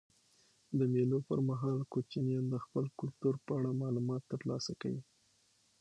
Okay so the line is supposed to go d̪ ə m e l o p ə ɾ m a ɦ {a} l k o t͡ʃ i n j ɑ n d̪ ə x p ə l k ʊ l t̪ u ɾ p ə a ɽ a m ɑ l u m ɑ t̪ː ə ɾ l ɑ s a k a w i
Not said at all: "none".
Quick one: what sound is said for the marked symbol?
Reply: ɑ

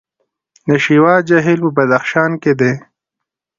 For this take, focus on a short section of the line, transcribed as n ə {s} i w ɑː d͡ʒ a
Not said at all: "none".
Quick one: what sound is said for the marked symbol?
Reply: ʃ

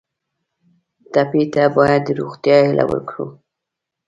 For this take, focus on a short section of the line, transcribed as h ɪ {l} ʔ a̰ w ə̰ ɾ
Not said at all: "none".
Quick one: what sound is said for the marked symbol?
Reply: l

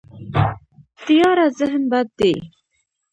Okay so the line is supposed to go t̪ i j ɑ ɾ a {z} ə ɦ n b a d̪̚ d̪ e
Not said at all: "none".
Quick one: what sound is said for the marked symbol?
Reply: z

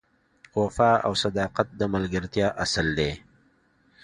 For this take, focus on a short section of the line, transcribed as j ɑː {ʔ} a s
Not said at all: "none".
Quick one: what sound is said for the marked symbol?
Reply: ʔ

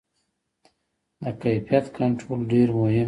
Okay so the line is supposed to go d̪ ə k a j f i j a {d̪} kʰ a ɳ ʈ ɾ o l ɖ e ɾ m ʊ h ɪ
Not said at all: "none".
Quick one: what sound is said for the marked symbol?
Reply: t̪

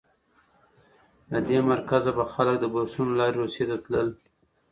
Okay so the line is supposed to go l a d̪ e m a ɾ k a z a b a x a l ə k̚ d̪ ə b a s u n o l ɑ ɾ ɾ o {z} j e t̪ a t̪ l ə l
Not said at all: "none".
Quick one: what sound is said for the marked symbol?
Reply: s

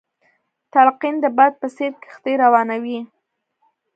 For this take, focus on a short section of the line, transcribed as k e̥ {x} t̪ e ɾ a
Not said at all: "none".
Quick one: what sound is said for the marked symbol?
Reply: x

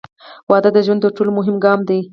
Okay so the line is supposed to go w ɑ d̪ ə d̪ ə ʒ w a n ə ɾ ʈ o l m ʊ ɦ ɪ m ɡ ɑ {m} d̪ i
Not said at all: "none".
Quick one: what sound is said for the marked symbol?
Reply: m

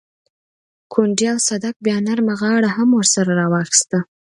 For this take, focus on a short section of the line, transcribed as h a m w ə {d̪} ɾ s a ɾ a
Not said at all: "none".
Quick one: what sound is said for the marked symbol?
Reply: none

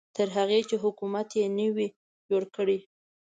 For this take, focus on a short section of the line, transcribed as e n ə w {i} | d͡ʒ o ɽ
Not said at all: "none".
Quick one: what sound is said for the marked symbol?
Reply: i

